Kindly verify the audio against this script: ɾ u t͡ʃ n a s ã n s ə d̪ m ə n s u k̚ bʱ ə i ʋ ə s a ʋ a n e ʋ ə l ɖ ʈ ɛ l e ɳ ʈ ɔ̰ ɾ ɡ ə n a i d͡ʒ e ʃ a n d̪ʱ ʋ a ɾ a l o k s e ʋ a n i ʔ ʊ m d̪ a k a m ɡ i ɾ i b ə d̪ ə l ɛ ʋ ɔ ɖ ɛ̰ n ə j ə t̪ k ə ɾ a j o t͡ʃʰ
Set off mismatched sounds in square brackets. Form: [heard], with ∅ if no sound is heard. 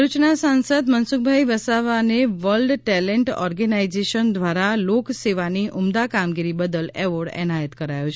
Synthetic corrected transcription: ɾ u t͡ʃ n a s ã n s ə d̪ m ə n s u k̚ bʱ [a] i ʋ ə s a ʋ a n e ʋ ə l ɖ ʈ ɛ l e ɳ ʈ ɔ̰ ɾ ɡ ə n a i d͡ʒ e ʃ [ə] n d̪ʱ ʋ a ɾ a l o k s e ʋ a n i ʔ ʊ m d̪ a k a m ɡ i ɾ i b ə d̪ ə l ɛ ʋ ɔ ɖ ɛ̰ n [a] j ə t̪ k ə ɾ a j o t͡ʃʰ